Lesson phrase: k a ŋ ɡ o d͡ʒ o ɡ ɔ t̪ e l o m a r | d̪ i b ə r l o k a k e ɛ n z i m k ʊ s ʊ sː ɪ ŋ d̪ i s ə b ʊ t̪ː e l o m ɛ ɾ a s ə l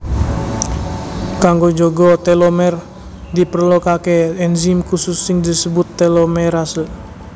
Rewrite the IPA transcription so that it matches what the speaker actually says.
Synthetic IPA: k a ŋ ɡ o d͡ʒ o ɡ ɔ t̪ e l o m ɛ r | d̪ i p ə r l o k a k e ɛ n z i m k u s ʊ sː ɪ ŋ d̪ i s ə b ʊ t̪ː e l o m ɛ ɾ a s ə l